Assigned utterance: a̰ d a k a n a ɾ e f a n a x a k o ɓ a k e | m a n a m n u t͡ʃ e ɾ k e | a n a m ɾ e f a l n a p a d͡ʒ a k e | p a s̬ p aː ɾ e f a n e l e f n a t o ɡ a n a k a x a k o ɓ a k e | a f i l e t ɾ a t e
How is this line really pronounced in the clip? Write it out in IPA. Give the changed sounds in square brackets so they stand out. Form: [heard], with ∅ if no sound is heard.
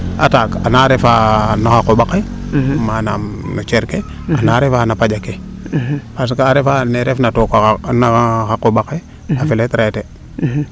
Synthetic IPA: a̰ [t] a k a n a ɾ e f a n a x a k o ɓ a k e | m a n a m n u t͡ʃ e ɾ k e | a n a [∅] ɾ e f a [∅] n a p a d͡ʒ a k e | p a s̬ [k] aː ɾ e f a n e [ɾ] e f n a t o [k] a n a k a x a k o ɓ a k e | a f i l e t ɾ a t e